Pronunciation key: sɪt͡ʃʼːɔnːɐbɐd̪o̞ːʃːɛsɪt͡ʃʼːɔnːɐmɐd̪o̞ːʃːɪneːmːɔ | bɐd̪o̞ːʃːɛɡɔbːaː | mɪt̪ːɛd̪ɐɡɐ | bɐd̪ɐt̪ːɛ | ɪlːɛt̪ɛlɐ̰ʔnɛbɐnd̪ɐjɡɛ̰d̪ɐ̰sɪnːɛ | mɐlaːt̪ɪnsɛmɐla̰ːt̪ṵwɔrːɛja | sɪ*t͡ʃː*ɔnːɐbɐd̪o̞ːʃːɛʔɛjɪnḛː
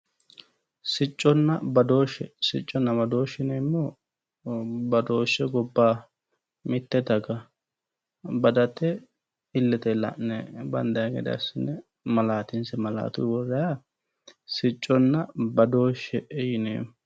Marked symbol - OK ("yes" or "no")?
no